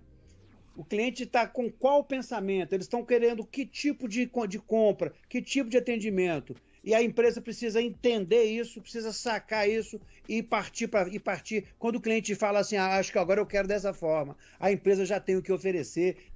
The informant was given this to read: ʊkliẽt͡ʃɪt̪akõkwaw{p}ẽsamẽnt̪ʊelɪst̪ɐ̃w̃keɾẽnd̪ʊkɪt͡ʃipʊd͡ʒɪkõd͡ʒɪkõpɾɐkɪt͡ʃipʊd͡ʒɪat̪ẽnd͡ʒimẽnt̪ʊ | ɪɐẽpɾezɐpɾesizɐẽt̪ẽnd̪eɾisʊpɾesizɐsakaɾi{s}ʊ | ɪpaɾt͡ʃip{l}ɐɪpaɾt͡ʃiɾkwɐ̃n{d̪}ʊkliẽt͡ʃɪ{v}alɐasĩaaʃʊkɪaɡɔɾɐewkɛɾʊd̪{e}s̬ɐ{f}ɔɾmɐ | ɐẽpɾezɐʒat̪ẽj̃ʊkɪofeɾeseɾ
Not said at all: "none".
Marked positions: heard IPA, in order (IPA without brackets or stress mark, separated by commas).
p, s, ɾ, d̪, f, ɛ, f